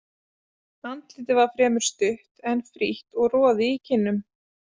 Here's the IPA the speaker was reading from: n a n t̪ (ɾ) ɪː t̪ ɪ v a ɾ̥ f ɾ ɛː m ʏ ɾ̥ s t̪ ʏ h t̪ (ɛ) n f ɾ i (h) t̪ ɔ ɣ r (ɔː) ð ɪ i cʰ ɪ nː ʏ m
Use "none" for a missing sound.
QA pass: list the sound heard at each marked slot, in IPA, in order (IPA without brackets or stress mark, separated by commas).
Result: l, ɛ, h, ɔː